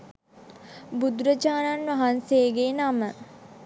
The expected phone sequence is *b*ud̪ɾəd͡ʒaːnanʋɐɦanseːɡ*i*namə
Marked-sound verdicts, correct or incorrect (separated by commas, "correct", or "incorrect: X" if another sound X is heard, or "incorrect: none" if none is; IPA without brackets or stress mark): correct, incorrect: e